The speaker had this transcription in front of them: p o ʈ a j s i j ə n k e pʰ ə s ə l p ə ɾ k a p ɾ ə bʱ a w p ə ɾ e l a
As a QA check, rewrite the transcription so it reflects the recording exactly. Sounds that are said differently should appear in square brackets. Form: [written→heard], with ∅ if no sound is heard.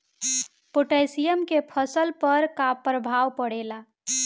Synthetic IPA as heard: p o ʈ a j s i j ə [n→m] k e pʰ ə s ə l p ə ɾ k a p ɾ ə bʱ a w p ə [ɾ→ɽ] e l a